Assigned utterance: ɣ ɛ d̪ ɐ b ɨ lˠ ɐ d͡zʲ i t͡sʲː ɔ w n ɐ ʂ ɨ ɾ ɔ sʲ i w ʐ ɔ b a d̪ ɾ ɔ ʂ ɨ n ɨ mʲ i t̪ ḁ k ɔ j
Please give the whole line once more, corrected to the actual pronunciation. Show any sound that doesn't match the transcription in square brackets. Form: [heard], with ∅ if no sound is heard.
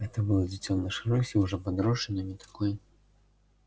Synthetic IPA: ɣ ɛ [t̪] ɐ b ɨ lˠ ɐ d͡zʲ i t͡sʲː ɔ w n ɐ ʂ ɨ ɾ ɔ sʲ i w ʐ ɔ [p] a d̪ ɾ ɔ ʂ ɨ n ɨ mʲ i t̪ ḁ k ɔ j